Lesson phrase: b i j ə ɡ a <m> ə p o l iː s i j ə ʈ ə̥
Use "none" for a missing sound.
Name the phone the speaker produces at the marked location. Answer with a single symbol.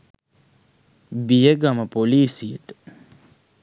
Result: m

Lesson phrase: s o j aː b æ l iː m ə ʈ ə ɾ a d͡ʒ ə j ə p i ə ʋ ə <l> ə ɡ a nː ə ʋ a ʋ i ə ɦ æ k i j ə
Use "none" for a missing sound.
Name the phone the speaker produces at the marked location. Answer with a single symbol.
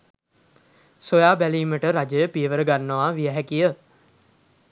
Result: ɾ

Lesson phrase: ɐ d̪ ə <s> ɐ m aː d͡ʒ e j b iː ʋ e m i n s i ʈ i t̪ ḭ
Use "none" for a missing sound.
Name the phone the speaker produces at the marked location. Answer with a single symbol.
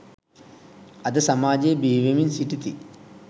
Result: s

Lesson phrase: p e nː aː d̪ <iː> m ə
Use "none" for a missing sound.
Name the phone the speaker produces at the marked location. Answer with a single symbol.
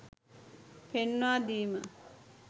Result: iː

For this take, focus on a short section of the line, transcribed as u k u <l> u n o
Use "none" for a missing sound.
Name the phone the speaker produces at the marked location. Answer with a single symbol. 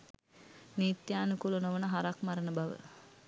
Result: l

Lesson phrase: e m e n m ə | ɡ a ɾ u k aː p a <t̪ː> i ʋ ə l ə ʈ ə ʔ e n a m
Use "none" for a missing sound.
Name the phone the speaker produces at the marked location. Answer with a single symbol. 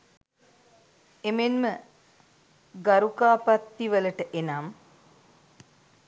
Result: t̪ː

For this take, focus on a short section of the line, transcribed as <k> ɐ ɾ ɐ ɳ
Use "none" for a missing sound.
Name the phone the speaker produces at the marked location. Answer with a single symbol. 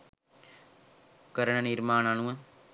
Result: k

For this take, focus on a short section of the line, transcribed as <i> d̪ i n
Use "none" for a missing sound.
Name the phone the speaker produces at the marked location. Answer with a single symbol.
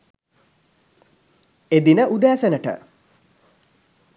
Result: e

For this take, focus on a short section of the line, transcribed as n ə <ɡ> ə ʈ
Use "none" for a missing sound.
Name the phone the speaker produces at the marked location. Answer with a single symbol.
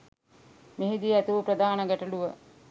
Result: ɡ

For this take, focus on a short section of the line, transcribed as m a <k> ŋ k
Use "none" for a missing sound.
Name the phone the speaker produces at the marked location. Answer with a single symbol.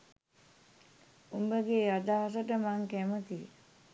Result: none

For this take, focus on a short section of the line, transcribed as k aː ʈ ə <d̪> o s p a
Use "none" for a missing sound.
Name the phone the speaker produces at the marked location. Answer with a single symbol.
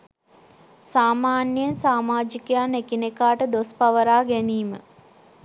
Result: d̪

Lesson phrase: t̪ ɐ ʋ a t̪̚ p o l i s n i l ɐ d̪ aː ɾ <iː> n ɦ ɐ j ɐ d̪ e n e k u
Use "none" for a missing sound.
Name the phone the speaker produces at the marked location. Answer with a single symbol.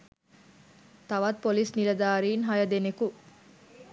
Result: iː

